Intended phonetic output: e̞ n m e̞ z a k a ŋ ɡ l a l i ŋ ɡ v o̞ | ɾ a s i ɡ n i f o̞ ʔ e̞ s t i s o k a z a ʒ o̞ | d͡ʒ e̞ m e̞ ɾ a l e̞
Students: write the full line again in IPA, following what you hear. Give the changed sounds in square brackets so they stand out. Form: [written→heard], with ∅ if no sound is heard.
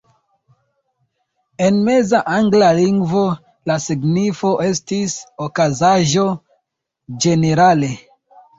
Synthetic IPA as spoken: e̞ n m e̞ z a [k→ʔ] a ŋ ɡ l a l i ŋ ɡ v o̞ | [ɾ→l] a s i ɡ n i f o̞ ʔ e̞ s t i s o k a z a ʒ o̞ | d͡ʒ e̞ [m→n] e̞ ɾ a l e̞